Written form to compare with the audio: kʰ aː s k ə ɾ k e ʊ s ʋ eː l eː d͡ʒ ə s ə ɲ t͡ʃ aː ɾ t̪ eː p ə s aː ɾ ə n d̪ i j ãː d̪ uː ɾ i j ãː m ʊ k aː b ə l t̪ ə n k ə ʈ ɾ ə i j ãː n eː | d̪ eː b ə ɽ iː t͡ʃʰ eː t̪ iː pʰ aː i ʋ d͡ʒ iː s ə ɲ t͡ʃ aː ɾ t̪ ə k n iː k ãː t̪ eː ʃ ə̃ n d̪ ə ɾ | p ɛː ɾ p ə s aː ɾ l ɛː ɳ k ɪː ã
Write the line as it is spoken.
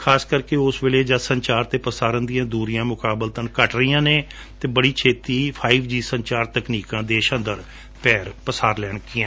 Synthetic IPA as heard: kʰ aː s k ə ɾ k e ʊ s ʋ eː l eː d͡ʒ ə s ə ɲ t͡ʃ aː ɾ t̪ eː p ə s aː ɾ ə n d̪ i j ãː d̪ uː ɾ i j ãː m ʊ k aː b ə l t̪ ə n k ə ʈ ɾ ə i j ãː n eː | t̪ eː b ə ɽ iː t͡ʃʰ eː t̪ iː pʰ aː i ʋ d͡ʒ iː s ə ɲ t͡ʃ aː ɾ t̪ ə k n iː k ãː d̪ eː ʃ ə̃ n d̪ ə ɾ | p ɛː ɾ p ə s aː ɾ l ɛː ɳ k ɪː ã

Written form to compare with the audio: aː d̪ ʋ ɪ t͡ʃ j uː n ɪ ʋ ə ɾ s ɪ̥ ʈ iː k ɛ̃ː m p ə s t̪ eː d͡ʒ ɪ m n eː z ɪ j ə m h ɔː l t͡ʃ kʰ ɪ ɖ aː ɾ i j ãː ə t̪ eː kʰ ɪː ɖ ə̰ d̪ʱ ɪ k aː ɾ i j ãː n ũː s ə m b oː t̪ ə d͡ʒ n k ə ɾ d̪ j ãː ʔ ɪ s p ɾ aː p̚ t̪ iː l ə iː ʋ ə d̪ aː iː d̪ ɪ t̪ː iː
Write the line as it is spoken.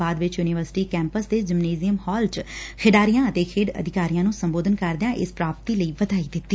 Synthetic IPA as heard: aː d̪ ʋ ɪ t͡ʃ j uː n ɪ ʋ ə ɾ s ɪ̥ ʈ iː k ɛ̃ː m p ə s d̪ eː d͡ʒ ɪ m n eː z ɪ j ə m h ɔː l t͡ʃ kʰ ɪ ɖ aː ɾ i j ãː ə t̪ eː kʰ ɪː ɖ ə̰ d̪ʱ ɪ k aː ɾ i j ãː n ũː s ə m b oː d̪ ə n k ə ɾ d̪ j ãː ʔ ɪ s p ɾ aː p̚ t̪ iː l ə iː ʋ ə d̪ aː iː d̪ ɪ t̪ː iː

